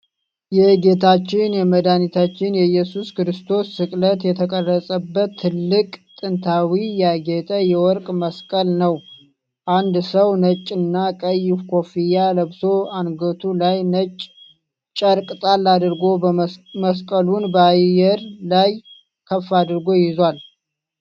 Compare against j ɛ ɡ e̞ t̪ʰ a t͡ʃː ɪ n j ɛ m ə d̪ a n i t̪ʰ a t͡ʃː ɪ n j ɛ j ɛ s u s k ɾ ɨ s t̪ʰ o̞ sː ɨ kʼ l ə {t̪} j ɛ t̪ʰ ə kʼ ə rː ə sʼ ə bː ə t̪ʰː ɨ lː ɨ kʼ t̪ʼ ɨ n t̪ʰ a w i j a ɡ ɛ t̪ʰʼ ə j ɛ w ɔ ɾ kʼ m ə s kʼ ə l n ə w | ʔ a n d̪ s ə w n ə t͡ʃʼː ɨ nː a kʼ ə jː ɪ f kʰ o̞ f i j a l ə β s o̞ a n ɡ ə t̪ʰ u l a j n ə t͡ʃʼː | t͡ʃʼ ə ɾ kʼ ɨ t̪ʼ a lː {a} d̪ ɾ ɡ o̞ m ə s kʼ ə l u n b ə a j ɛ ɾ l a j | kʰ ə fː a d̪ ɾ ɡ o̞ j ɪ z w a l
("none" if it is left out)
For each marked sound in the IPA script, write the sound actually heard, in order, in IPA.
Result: t̪, a

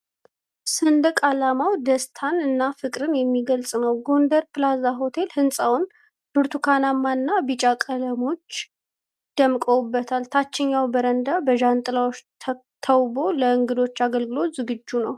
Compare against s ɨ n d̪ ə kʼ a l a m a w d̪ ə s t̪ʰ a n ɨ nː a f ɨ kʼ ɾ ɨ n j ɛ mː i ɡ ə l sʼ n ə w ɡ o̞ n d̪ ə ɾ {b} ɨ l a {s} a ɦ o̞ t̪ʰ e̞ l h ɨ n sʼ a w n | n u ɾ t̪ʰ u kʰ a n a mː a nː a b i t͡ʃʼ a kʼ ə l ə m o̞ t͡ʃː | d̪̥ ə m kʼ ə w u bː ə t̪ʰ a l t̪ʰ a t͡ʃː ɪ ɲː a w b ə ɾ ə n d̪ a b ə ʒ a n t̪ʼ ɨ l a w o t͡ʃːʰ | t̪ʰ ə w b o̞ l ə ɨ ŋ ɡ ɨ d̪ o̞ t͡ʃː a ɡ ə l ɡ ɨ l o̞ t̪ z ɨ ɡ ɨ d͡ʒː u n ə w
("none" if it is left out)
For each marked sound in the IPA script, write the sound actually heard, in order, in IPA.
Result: p, z

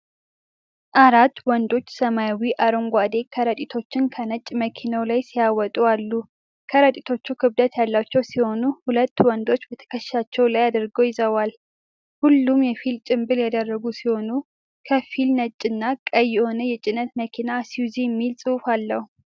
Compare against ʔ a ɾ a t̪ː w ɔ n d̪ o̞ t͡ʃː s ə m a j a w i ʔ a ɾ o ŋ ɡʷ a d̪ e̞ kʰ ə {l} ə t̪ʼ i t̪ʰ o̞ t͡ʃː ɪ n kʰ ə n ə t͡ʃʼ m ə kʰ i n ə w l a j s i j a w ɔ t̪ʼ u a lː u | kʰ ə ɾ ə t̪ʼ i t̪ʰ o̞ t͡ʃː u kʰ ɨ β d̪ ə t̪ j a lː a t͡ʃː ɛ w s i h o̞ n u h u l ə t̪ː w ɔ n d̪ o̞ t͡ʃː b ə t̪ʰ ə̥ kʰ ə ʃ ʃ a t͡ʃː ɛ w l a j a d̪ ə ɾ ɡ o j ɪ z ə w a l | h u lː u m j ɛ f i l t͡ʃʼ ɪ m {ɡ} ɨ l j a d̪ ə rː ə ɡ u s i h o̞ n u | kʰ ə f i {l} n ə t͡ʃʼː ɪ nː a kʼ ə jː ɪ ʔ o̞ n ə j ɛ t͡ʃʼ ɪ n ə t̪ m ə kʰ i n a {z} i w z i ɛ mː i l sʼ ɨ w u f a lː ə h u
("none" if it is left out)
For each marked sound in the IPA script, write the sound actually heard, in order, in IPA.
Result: ɾ, b, l, s

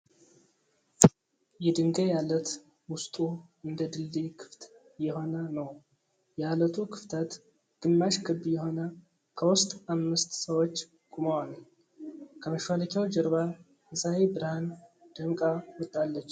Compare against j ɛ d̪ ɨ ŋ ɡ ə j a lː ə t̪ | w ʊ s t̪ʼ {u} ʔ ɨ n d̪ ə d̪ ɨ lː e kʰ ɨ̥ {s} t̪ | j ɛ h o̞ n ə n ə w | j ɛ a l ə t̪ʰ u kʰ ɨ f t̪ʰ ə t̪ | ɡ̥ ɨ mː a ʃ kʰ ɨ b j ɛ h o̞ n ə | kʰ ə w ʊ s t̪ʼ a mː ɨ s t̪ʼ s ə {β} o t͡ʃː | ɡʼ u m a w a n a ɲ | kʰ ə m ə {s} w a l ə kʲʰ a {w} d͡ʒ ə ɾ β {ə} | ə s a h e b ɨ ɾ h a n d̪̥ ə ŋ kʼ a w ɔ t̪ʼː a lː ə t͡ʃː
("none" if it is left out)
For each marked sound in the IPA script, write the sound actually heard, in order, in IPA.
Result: u, f, w, ʃ, w, a

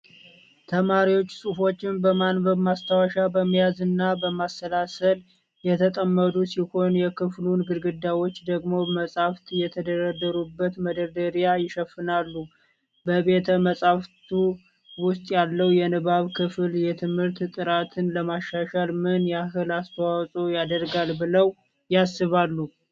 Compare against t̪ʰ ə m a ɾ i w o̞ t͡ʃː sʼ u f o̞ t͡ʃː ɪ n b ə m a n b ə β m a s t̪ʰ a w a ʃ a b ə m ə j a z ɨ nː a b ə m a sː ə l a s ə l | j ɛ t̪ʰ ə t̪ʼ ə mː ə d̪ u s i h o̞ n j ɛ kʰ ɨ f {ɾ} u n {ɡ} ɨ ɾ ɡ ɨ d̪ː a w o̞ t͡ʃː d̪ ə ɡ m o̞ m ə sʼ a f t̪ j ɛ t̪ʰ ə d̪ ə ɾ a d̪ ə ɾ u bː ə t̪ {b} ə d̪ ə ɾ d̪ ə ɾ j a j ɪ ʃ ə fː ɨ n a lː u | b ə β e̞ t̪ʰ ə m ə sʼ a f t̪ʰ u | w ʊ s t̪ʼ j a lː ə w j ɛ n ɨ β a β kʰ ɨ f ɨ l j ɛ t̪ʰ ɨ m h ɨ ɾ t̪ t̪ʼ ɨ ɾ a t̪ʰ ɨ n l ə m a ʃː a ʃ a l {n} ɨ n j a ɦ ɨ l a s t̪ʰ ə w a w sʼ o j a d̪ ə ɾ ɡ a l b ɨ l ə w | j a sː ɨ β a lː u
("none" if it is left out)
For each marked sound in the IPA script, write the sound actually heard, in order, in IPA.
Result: l, ɡ, m, m

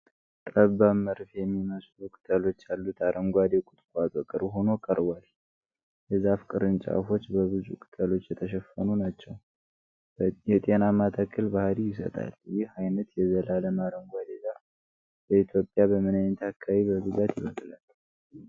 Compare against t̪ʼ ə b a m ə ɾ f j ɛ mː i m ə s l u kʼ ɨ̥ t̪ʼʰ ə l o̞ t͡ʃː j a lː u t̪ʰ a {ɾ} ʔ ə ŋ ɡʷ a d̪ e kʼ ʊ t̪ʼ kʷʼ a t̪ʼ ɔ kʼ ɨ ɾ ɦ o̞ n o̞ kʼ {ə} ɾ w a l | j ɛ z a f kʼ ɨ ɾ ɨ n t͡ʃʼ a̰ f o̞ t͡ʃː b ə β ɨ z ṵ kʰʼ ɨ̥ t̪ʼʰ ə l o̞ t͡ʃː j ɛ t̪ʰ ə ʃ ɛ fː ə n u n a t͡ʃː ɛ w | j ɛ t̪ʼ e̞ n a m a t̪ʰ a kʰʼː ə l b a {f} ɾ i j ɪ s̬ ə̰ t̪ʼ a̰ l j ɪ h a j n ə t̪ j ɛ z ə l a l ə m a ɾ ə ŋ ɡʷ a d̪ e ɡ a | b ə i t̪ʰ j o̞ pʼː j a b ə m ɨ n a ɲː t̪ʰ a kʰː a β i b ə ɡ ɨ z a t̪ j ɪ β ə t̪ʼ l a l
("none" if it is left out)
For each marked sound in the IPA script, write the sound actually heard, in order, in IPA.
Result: ɾ, ə, h

